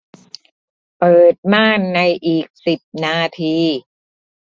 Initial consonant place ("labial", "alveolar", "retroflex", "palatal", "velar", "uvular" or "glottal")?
labial